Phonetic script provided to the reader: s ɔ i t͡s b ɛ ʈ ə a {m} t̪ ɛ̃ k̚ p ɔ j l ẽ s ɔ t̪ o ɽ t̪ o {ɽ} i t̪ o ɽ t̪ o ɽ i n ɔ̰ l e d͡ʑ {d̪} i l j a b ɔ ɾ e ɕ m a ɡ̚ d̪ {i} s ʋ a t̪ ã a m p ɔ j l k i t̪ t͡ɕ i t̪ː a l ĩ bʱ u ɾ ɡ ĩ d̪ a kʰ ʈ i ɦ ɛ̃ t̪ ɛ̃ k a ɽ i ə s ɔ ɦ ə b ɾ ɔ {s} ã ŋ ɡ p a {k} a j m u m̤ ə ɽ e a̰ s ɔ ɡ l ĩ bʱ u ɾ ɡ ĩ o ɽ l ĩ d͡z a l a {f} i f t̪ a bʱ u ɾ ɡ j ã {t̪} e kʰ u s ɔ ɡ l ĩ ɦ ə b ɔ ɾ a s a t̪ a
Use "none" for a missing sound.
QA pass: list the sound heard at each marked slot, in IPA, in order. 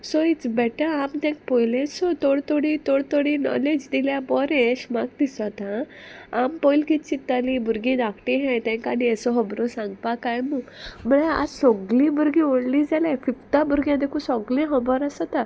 m, ɽ, d̪, i, s, k, f, d̪

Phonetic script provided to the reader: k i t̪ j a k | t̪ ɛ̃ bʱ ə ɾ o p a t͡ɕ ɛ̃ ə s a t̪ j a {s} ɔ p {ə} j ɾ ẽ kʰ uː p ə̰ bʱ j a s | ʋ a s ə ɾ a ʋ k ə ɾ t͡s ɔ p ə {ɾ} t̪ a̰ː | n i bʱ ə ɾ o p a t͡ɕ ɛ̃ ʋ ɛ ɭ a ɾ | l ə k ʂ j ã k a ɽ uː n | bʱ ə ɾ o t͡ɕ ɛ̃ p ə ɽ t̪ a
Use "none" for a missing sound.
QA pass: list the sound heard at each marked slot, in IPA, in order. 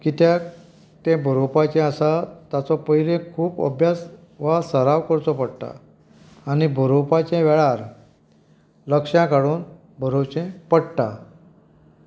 t͡s, ə, ɽ

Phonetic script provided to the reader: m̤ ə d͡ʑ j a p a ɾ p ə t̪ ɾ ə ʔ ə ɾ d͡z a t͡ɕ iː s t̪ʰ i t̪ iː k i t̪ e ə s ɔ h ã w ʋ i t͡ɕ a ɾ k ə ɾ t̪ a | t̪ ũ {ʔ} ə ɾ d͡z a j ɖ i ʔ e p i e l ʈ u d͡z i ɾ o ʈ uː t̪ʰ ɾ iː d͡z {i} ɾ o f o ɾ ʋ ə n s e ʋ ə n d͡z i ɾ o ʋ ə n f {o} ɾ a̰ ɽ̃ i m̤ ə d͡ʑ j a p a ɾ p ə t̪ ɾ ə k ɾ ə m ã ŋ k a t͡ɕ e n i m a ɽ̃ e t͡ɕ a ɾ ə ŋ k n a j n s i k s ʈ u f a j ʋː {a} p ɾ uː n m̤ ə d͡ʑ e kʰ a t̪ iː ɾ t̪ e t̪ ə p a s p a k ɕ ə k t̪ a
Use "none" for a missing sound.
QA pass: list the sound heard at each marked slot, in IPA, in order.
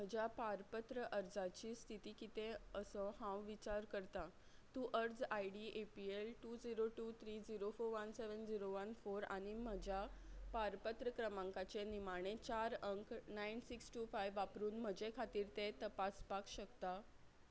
ʔ, i, o, a

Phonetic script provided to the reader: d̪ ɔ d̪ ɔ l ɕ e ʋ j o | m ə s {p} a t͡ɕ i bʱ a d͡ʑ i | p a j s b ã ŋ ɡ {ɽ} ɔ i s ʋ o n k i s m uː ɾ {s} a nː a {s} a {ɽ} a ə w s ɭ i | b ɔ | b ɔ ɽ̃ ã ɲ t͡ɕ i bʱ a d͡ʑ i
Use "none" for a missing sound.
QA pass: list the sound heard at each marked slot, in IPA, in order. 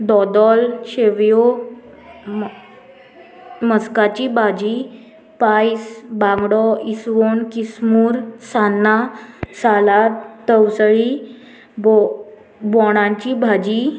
k, ɽ, s, s, l

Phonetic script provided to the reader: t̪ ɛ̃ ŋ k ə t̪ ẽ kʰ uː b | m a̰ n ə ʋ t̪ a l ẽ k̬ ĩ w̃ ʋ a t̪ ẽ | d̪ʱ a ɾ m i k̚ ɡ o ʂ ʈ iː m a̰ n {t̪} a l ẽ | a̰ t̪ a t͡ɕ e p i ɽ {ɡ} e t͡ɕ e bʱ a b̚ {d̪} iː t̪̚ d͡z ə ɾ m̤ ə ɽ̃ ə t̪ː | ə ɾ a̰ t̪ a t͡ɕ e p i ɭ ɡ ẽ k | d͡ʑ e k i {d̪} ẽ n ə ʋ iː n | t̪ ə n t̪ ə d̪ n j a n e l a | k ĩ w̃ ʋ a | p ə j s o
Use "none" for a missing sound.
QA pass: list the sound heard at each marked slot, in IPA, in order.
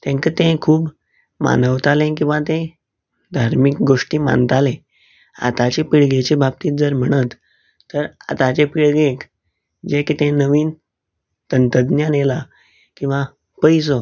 t̪, ɡ, t̪, t̪

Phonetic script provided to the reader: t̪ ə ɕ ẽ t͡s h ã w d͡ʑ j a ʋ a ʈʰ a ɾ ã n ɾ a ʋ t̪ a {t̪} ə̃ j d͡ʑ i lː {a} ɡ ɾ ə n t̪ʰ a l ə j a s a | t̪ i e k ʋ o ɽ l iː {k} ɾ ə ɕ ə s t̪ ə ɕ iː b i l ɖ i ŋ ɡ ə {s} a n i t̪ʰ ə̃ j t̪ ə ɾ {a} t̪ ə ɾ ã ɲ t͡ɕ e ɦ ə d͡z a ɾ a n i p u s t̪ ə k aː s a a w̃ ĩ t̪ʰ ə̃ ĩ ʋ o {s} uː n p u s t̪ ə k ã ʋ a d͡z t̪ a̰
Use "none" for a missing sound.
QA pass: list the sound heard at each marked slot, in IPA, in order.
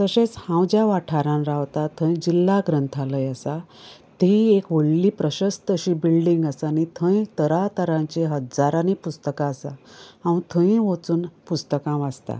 t̪ʰ, a, p, s, a, t͡s

